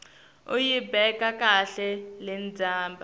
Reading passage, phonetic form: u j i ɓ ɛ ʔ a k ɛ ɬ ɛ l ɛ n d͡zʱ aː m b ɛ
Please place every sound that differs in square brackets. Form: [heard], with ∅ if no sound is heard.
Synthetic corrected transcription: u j i [b] ɛ [k] a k [a] ɬ ɛ l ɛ n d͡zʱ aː m b [a]